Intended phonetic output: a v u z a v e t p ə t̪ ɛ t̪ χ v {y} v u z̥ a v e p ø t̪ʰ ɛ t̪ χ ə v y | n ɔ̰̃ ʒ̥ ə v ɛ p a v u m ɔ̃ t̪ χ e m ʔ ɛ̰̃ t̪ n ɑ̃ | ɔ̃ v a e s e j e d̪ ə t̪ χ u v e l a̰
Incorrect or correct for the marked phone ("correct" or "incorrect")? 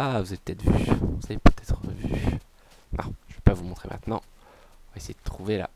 correct